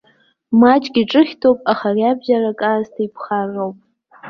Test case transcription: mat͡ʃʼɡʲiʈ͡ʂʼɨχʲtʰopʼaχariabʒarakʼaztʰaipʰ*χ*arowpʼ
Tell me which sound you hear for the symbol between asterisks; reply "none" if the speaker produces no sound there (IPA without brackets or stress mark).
χ